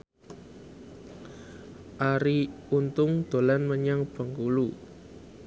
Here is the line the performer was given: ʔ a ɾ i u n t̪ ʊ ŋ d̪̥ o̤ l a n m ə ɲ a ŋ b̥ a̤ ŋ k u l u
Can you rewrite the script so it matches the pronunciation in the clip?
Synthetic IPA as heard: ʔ a ɾ i u n t̪ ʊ ŋ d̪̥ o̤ l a n m ə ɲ a ŋ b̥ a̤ ŋ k u l u